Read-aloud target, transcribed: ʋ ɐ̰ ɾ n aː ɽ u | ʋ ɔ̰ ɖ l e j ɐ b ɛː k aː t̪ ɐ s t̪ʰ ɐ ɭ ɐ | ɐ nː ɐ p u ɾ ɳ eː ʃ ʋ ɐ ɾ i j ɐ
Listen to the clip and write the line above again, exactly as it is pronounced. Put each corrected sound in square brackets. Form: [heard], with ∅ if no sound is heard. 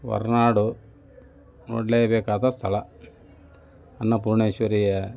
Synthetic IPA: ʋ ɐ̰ ɾ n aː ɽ u | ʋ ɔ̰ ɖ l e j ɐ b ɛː k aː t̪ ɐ s t̪ʰ ɐ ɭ ɐ | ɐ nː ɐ p u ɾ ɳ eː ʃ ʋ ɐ ɾ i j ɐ